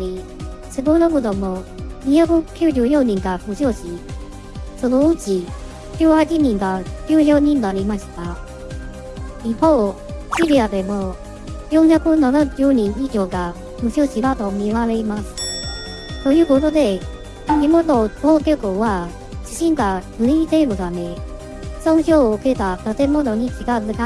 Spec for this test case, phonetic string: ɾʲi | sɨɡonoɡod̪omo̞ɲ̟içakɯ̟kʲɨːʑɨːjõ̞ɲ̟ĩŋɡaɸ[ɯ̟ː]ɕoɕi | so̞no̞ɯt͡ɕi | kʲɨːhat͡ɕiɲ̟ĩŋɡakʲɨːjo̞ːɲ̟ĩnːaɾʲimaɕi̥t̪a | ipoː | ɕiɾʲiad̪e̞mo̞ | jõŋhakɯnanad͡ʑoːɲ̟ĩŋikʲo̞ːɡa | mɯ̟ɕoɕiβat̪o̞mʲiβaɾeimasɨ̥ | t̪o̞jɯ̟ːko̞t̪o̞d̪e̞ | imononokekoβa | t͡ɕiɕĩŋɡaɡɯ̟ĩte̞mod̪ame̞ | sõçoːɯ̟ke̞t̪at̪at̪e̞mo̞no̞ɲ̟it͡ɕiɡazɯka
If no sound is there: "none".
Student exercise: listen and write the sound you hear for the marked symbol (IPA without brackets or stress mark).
ɯ̟